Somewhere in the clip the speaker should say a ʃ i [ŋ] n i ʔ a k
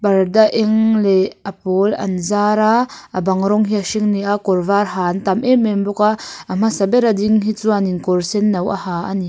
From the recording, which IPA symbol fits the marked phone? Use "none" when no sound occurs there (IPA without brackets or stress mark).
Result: ŋ